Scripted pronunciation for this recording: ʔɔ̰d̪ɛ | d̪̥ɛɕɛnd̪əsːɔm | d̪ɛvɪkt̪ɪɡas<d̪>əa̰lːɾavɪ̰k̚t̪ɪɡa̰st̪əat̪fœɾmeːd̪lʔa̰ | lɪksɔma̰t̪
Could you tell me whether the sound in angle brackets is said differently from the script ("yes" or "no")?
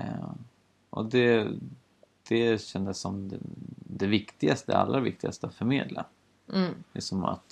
yes